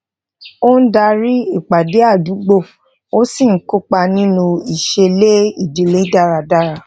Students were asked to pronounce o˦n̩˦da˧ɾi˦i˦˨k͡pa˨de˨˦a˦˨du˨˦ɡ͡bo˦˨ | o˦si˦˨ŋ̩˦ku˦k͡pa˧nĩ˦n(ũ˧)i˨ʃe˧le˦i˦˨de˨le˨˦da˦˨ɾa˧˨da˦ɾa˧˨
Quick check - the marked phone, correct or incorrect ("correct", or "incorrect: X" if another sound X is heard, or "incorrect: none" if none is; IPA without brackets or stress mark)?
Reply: correct